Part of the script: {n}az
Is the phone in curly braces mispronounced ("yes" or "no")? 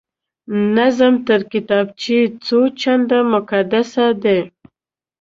no